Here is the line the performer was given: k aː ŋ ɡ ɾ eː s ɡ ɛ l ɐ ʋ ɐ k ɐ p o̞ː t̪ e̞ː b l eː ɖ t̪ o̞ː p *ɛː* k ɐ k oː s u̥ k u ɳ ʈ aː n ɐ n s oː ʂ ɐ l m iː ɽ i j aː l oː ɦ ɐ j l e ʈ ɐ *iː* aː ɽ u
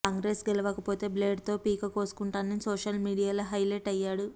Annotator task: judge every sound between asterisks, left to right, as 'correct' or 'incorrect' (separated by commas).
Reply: incorrect, incorrect